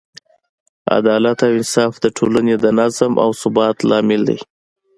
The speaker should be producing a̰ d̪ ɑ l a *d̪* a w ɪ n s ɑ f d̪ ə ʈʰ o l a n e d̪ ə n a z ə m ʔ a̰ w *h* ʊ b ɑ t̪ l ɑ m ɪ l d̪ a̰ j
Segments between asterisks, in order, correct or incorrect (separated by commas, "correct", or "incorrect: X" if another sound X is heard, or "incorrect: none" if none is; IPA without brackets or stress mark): incorrect: t̪, incorrect: s